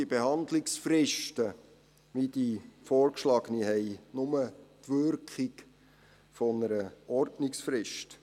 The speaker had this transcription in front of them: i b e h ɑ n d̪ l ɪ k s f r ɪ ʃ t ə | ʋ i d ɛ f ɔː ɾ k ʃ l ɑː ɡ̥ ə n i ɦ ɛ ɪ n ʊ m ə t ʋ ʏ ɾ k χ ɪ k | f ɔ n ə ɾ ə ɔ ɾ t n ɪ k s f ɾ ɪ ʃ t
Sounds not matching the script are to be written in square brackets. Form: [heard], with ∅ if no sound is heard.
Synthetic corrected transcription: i b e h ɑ n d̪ l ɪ k s f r ɪ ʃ t ə | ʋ i d [i] f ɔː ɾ k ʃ l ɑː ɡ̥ ə n i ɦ ɛ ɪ n ʊ m ə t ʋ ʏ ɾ k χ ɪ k | f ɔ n ə ɾ ə ɔ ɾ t n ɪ k s f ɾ ɪ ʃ t

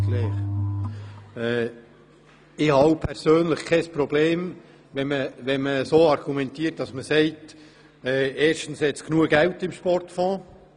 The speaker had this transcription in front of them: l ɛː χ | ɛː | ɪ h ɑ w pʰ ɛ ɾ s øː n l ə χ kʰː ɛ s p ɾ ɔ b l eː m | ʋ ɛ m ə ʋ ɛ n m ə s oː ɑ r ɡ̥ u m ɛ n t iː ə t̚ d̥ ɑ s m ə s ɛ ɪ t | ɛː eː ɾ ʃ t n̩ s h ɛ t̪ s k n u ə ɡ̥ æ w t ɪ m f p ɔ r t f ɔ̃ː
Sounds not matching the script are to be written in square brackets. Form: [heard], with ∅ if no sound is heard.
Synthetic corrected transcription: l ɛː χ | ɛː | ɪ h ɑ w pʰ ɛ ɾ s øː n l ə χ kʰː ɛ s p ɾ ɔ b l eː m | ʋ ɛ m ə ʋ ɛ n m ə s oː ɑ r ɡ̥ u m ɛ n t iː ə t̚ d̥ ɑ s m ə s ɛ ɪ t | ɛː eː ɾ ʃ t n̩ s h ɛ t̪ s k n u ə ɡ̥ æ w t ɪ m [ʃ] p ɔ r t f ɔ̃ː

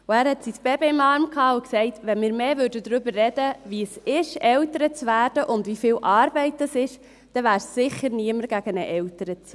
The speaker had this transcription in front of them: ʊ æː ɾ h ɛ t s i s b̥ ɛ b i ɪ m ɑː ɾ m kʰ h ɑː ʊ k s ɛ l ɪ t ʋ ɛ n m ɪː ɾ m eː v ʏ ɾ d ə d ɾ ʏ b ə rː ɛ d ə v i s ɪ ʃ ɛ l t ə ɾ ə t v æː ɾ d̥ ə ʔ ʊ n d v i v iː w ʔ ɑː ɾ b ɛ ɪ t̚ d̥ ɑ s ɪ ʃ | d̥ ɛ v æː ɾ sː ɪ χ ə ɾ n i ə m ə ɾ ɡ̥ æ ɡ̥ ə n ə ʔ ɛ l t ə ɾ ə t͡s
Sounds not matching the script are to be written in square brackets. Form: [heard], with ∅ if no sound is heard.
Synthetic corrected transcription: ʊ æː ɾ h ɛ t s i s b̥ ɛ b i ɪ m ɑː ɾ m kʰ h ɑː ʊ k s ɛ [∅] ɪ t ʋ ɛ n m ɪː ɾ m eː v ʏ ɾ d ə d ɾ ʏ b ə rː ɛ d ə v i s ɪ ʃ ɛ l t ə ɾ ə [t͡s] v æː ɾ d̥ ə ʔ ʊ n d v i [f] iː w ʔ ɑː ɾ b ɛ ɪ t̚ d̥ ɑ s ɪ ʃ | d̥ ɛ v æː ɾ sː ɪ χ ə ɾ n i ə m ə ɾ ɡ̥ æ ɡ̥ ə n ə ʔ ɛ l t ə ɾ ə t͡s

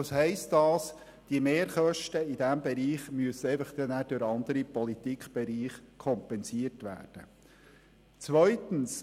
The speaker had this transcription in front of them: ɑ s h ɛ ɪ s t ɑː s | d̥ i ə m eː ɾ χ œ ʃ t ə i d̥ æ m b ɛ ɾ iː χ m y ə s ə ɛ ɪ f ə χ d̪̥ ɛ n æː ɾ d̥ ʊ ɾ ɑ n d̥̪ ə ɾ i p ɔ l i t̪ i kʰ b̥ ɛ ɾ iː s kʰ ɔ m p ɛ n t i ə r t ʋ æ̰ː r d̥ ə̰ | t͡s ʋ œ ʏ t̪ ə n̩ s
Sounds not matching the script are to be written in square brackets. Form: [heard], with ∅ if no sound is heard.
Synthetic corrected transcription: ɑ s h ɛ ɪ s t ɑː s | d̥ i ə m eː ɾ χ œ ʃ t ə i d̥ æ m b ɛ ɾ iː χ m y ə s ə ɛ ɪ f ə χ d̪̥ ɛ n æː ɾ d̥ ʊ ɾ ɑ n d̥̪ ə ɾ i p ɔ l i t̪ i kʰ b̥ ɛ ɾ iː [χ] kʰ ɔ m p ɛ n [s] i ə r t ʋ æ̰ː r d̥ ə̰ | t͡s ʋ œ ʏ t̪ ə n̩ s

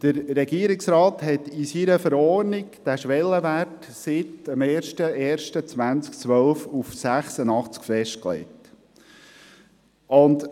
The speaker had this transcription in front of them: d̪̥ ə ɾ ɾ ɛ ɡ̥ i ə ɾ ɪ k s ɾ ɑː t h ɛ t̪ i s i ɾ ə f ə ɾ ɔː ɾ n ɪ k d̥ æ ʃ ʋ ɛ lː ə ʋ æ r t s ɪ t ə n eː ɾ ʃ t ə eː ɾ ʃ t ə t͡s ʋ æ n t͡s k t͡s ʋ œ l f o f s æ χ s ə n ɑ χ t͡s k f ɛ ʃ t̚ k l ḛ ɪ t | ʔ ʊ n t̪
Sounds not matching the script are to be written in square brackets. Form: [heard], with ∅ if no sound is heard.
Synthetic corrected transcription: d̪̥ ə ɾ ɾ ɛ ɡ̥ i ə ɾ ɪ k s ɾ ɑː t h ɛ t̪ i s i ɾ ə f ə ɾ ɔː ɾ n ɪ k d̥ æ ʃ ʋ ɛ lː ə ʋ æ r t s ɪ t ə [m] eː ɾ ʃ t ə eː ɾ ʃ t ə t͡s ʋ æ n t͡s k t͡s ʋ œ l f [u] f s æ χ s ə n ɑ χ t͡s k f ɛ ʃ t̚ k l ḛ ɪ t | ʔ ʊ n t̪

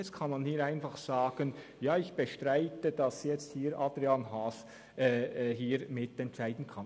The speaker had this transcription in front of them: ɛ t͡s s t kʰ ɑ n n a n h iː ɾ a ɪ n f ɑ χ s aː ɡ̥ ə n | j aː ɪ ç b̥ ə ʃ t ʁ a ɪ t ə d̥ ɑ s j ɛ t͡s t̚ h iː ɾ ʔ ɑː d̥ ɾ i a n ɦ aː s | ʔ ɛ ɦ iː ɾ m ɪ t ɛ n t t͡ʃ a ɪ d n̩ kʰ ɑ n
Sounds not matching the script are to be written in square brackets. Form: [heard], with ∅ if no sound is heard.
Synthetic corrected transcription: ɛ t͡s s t kʰ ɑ n [m] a n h iː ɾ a ɪ n f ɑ χ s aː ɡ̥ ə n | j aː ɪ ç b̥ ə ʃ t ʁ a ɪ t ə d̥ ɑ s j ɛ t͡s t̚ h iː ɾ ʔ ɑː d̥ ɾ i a n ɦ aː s | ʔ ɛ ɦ iː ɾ m ɪ t ɛ n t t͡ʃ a ɪ d n̩ kʰ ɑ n

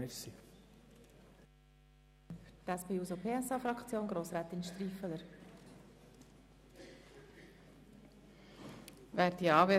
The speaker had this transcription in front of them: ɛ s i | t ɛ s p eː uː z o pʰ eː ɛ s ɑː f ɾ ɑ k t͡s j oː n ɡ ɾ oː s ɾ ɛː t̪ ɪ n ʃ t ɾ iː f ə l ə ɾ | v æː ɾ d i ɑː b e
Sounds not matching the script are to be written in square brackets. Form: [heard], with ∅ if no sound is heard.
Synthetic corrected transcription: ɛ s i | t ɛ s p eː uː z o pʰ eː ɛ s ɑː f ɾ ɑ k t͡s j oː n ɡ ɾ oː s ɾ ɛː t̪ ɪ n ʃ t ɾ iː f ə l ə ɾ | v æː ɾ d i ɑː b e

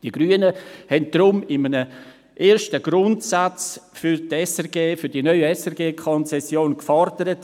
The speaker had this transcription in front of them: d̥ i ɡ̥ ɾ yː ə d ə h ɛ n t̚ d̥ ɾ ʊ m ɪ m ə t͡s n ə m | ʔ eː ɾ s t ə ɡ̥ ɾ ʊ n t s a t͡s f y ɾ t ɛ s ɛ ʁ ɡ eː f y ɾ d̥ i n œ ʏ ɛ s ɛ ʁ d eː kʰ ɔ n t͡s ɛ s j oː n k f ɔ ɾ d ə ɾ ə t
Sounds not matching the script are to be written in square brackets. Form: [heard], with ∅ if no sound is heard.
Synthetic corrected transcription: d̥ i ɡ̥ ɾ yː ə [n] ə h ɛ n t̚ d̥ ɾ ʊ m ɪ m ə [∅] n ə [∅] | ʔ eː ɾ [ʃ] t ə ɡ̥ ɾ ʊ n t s a t͡s f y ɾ t ɛ s ɛ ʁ ɡ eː f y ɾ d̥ i n œ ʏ ɛ s ɛ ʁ [ɡ] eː kʰ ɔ n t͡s ɛ s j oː n k f ɔ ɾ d ə ɾ ə t

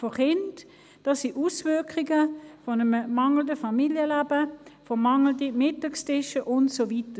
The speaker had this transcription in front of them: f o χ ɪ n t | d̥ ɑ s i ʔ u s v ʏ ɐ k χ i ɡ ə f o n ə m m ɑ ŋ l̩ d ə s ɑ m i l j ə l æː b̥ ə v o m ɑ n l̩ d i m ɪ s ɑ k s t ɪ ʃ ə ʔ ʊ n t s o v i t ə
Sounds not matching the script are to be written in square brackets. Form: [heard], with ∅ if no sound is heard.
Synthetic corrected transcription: f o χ ɪ n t | d̥ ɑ s i ʔ u s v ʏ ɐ k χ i ɡ ə f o n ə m m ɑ ŋ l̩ d ə [f] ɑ m i l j ə l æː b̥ ə [f] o m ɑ [ŋ] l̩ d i m ɪ [t] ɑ k s t ɪ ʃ ə ʔ ʊ n t s o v i t ə

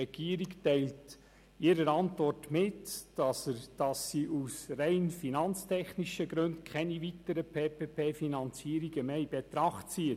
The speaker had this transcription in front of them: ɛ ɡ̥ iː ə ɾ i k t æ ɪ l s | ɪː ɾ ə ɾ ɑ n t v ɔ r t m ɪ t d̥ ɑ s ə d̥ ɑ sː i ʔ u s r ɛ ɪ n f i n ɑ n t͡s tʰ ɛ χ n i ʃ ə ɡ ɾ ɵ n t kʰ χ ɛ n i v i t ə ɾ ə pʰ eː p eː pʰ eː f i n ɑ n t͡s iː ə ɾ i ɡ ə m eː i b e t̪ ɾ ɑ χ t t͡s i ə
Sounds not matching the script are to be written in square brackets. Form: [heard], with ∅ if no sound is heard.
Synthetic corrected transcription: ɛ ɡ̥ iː ə ɾ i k t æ ɪ l [t] | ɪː ɾ ə ɾ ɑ n t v ɔ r t m ɪ t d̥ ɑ s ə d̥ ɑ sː i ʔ u s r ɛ ɪ n f i n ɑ n t͡s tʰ ɛ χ n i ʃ ə ɡ ɾ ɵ n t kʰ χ ɛ n i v i t ə ɾ ə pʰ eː p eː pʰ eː f i n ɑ n t͡s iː ə ɾ i ɡ ə m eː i b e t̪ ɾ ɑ χ t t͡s i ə

